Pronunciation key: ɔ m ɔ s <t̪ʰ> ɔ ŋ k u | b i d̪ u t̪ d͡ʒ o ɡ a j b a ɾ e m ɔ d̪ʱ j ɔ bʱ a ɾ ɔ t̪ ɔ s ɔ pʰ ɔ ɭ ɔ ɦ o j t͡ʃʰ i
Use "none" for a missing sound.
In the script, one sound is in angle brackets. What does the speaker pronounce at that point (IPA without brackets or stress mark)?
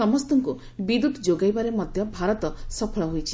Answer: t̪